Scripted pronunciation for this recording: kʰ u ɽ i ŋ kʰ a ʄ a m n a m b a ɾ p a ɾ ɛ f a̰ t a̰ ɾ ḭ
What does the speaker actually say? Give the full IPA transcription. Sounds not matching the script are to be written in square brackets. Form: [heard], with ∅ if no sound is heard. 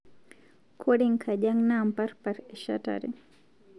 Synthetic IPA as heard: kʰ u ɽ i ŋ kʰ a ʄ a [ŋ] n a m [p] a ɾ p a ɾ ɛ [ʃ] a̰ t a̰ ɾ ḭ